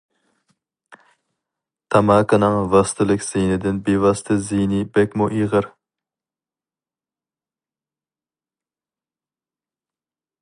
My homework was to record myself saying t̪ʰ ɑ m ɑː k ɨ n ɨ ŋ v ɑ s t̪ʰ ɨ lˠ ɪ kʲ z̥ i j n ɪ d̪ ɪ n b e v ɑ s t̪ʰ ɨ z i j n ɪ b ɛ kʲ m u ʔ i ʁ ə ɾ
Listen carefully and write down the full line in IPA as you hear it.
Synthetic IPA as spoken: t̪ʰ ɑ m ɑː k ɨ n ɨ ŋ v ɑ s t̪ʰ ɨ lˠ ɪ kʲ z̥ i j n ɪ d̪ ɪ n b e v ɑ s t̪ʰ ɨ z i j n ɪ b ɛ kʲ m u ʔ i ʁ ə ɾ